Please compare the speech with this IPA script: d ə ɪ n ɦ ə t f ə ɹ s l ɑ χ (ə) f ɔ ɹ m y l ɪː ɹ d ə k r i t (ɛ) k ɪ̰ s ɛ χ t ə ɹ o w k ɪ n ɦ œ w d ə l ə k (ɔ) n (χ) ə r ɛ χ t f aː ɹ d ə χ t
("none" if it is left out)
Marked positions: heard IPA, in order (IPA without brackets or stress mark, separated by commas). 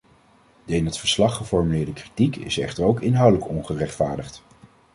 ə, i, ɔ, χ